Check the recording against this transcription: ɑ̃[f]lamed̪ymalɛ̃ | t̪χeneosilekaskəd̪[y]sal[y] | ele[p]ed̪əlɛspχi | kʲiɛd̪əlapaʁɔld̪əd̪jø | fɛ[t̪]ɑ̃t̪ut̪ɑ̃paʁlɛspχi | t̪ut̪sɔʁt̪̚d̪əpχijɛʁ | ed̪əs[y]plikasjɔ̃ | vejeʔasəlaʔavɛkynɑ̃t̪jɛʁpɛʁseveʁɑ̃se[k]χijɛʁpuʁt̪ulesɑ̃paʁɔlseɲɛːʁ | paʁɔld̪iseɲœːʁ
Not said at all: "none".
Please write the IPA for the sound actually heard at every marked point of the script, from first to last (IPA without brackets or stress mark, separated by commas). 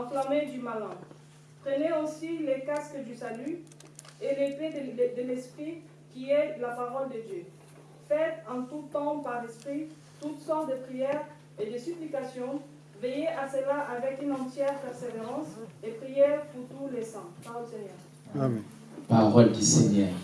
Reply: f, y, y, p, t̪, y, p